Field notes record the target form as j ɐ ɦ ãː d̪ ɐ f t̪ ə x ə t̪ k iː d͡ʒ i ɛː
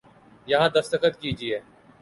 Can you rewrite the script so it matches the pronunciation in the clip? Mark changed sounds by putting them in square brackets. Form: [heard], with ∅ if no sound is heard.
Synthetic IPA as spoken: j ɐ ɦ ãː d̪ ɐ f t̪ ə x ə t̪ k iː d͡ʒ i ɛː